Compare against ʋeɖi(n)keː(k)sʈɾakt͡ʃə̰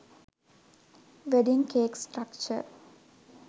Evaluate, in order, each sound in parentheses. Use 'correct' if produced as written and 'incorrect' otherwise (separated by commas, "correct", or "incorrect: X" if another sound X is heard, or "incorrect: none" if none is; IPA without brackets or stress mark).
incorrect: ŋ, correct